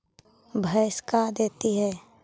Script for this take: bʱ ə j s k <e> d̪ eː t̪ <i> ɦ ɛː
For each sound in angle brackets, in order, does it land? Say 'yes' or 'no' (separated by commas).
no, yes